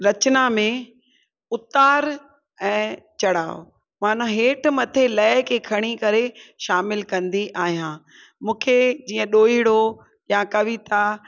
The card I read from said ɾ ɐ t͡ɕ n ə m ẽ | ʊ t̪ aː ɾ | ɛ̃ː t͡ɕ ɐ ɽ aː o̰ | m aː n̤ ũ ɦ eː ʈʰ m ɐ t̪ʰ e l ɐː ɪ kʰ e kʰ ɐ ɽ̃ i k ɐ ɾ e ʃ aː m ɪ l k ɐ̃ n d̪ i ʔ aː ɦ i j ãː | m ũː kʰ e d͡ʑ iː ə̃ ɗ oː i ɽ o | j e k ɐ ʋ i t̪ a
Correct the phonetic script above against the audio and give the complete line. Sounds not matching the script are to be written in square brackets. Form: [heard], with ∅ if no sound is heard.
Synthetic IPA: ɾ ɐ t͡ɕ n [a] m ẽ | ʊ t̪ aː ɾ | ɛ̃ː t͡ɕ ɐ ɽ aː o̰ | m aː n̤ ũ ɦ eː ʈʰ m ɐ t̪ʰ e l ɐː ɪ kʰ e kʰ ɐ ɽ̃ i k ɐ ɾ e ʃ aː m ɪ l k ɐ̃ n d̪ i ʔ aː ɦ i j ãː | m ũː kʰ e d͡ʑ iː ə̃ ɗ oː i ɽ o | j [a] k ɐ ʋ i t̪ a